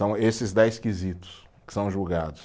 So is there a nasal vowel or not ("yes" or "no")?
yes